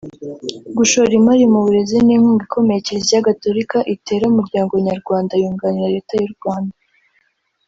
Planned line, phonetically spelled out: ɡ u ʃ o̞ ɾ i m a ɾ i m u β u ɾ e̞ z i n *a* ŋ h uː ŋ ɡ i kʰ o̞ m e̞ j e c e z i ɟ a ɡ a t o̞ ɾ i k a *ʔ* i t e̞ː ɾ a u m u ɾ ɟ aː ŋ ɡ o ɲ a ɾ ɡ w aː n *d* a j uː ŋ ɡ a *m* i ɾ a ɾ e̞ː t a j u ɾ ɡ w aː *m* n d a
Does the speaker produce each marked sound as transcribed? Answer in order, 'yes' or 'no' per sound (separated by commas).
no, yes, yes, no, no